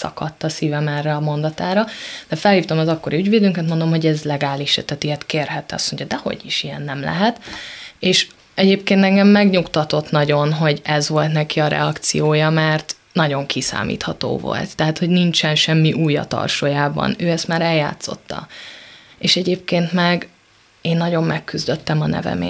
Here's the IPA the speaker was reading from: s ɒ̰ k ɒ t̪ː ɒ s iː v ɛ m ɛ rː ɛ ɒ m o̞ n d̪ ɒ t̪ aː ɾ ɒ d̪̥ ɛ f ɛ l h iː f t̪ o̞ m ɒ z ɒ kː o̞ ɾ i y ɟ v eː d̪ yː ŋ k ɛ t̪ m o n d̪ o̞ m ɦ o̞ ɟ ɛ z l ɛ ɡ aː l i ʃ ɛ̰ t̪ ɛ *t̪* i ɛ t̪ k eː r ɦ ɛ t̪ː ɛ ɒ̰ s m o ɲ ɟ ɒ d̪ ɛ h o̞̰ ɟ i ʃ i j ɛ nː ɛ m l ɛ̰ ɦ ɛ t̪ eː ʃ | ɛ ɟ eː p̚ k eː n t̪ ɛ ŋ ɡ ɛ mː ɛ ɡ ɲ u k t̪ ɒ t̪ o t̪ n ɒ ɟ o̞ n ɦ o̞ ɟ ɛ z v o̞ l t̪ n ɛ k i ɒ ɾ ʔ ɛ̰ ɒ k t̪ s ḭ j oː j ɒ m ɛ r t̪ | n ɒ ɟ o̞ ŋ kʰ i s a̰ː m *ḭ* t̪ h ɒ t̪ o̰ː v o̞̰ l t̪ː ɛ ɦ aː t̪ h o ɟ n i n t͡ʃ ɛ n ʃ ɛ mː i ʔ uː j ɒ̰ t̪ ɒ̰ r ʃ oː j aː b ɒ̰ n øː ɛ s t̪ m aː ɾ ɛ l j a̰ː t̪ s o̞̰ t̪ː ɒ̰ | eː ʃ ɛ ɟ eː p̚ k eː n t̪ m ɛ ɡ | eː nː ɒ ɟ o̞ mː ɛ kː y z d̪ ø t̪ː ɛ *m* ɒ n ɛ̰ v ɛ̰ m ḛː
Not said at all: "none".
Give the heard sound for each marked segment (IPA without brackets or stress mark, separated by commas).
t̪, ḭː, m